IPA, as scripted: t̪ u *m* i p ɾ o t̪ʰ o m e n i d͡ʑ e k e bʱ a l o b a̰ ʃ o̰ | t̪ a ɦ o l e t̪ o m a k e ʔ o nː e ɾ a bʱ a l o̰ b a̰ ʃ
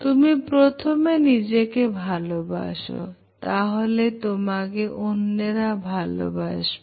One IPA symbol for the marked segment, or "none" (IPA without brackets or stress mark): m